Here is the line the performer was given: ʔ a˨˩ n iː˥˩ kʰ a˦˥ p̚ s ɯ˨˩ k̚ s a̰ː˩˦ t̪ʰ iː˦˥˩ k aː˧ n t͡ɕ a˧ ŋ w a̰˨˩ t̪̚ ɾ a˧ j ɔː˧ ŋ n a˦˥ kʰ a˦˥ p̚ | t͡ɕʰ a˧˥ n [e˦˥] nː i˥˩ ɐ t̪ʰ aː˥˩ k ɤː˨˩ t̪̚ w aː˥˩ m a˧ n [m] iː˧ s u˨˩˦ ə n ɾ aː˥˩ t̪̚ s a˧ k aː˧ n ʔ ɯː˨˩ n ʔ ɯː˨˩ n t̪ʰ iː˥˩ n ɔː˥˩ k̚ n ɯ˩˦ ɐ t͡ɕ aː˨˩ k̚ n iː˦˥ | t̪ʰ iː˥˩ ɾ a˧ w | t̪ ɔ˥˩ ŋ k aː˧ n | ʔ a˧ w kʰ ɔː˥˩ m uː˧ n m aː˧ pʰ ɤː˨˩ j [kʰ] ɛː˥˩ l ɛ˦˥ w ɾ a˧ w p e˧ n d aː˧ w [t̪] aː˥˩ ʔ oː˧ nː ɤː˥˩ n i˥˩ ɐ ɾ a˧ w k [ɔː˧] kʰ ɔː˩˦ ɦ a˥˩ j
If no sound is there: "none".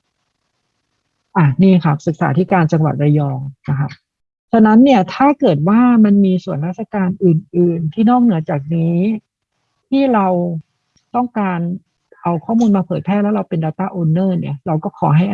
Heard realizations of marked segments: a˦˥, m, pʰ, t̪, ɔː˥˩

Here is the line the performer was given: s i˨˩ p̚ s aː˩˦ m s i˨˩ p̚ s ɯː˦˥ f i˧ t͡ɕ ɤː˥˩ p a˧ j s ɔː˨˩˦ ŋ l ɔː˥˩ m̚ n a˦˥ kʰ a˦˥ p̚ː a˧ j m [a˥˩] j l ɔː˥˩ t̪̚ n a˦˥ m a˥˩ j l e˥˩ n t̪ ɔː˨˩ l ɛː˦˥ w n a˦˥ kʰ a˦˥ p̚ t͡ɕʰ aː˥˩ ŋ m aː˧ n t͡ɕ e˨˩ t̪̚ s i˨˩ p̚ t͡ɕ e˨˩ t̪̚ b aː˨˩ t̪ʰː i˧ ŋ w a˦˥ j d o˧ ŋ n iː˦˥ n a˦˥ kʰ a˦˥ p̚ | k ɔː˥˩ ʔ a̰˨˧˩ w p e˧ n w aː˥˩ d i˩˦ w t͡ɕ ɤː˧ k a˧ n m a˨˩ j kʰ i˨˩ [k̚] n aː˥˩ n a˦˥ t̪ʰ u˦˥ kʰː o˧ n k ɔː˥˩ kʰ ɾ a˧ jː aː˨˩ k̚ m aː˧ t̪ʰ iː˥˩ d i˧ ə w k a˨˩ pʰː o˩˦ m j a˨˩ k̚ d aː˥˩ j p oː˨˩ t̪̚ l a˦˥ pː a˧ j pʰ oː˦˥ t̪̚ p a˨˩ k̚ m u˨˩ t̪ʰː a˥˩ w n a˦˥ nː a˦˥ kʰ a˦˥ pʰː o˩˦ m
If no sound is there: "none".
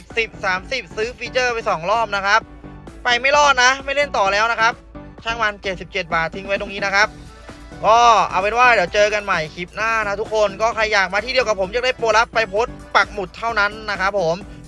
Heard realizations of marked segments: a˥˩, p̚

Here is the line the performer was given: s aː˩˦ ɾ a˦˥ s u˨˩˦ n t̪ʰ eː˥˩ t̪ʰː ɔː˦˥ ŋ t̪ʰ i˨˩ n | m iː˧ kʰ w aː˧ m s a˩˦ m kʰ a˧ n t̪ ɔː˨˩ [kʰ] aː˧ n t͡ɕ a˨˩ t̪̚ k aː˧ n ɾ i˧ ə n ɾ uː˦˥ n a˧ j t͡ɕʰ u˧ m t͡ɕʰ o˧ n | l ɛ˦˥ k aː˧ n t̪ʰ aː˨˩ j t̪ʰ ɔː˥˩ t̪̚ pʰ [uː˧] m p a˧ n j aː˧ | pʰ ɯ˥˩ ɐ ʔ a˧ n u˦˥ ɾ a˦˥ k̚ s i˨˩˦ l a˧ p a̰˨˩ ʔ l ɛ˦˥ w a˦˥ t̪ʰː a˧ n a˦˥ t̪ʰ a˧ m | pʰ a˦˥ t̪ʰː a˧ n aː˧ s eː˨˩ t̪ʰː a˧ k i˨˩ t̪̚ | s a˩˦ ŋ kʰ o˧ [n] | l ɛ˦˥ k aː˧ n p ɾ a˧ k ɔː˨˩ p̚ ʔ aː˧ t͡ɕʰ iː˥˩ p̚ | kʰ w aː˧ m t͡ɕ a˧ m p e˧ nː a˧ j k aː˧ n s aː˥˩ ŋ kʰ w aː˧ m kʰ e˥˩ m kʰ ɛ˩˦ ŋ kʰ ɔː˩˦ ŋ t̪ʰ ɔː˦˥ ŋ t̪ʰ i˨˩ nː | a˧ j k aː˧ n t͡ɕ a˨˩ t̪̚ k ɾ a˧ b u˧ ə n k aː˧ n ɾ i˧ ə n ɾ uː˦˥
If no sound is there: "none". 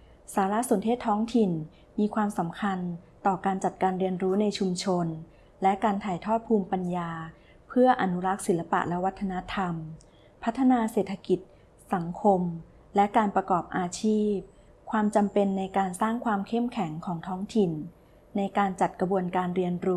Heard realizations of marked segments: k, uː˧, m

